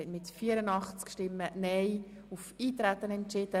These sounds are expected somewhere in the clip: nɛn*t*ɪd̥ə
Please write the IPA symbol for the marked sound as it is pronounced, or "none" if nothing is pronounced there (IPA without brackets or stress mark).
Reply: t͡ʃ